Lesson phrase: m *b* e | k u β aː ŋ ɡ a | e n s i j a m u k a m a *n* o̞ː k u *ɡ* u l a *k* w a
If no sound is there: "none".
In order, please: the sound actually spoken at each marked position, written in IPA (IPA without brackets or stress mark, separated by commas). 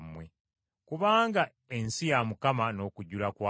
w, n, ɟ, k